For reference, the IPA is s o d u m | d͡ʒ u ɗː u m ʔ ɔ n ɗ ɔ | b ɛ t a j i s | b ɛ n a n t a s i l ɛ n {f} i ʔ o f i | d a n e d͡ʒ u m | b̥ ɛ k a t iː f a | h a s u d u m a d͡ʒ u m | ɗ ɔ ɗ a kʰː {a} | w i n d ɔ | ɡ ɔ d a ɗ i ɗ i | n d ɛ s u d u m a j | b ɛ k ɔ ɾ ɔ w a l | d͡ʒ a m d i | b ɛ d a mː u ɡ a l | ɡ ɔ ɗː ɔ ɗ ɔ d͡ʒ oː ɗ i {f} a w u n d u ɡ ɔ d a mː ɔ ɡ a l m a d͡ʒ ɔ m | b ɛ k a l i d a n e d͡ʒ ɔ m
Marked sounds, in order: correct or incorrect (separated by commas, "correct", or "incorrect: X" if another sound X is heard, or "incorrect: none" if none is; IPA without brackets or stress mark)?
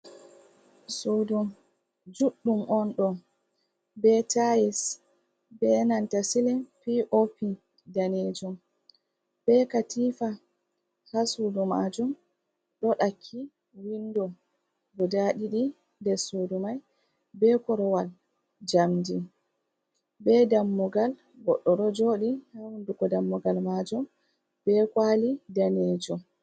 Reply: correct, incorrect: i, incorrect: h